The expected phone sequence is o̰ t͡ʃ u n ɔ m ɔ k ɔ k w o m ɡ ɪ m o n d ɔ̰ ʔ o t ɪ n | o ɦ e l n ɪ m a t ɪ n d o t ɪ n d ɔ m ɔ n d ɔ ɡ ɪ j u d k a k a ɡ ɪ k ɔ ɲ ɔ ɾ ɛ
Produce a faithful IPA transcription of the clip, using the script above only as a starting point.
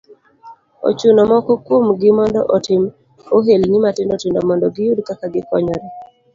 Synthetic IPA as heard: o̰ t͡ʃ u n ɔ m ɔ k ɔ k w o m ɡ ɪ m ɔ n d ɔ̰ ʔ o t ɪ m | o ɦ e l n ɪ m a t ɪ n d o t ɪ n d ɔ m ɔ n d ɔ ɡ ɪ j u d k a k a ɡ ɪ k ɔ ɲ ɔ ɾ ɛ